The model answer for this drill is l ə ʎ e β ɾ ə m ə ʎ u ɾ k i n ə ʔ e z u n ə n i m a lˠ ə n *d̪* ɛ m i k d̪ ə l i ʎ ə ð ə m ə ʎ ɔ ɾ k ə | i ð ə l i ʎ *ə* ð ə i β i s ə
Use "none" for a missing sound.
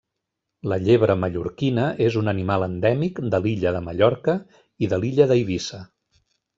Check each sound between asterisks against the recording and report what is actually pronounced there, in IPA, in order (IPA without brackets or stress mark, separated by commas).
d̪, ə